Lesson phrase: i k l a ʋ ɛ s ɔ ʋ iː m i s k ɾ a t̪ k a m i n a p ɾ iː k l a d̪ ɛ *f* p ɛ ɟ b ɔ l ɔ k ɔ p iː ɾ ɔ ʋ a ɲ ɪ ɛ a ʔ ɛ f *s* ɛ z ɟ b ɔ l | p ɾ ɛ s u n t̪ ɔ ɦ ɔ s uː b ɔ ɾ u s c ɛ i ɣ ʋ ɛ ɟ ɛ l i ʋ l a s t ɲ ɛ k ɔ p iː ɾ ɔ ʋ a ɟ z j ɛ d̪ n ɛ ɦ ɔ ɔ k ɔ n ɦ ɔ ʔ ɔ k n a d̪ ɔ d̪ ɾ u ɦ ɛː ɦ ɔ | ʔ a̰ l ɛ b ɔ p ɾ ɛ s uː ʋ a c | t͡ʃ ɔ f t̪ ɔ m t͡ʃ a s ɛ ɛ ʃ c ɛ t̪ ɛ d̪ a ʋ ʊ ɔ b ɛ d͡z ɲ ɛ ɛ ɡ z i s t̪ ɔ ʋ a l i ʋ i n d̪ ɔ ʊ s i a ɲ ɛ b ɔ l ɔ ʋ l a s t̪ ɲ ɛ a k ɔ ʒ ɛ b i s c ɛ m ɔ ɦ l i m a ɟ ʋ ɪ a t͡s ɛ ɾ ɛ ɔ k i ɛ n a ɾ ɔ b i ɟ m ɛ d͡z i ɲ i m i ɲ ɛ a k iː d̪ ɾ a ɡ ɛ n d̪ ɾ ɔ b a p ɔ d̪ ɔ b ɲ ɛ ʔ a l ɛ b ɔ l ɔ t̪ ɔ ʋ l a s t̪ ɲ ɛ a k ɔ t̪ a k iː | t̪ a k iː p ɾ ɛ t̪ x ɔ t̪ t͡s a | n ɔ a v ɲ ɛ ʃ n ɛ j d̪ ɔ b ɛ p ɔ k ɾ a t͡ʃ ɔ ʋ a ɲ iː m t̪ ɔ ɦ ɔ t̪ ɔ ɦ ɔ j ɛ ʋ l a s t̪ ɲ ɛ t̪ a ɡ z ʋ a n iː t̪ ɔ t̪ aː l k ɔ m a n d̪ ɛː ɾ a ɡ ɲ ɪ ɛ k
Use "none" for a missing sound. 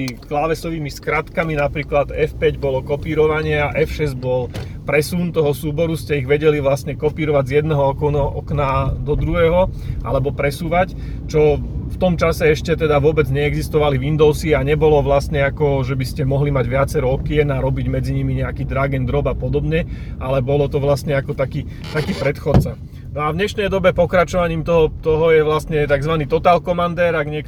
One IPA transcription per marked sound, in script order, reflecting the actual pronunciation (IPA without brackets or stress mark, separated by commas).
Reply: f, ʃ